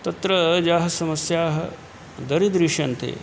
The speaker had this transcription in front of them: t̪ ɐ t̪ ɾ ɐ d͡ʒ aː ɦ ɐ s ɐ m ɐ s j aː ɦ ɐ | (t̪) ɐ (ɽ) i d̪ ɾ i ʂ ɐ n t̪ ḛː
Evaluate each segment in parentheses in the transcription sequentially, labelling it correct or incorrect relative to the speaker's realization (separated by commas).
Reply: incorrect, incorrect